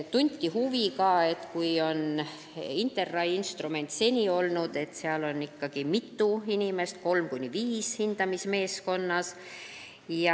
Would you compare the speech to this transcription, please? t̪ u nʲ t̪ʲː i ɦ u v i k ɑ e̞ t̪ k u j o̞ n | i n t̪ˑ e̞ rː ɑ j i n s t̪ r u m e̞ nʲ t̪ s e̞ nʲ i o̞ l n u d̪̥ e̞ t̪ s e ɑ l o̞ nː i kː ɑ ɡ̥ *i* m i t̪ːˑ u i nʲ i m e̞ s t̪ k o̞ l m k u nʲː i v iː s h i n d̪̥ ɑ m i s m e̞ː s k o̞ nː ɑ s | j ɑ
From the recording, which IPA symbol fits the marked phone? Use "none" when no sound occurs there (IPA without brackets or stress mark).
i